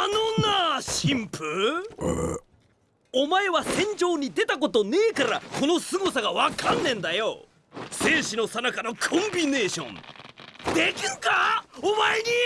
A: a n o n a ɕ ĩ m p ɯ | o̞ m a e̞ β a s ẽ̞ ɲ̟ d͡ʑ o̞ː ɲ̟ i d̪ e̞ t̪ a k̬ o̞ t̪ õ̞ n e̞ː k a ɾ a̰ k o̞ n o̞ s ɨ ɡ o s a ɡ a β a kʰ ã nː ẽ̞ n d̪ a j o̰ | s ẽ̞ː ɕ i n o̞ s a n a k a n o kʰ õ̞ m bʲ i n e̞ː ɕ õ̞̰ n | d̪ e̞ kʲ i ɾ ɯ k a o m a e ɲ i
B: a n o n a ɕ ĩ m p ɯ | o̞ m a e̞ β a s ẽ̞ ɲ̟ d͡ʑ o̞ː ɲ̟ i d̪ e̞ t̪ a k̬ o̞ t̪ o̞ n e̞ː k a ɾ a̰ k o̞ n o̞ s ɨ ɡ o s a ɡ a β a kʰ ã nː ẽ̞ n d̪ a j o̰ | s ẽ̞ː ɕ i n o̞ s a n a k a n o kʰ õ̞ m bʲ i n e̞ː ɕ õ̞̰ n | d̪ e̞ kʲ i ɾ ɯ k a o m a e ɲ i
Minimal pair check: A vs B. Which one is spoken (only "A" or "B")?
B